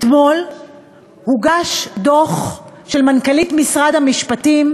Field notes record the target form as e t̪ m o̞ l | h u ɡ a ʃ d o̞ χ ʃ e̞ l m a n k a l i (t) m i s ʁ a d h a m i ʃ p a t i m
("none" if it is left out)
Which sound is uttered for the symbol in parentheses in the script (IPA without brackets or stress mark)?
t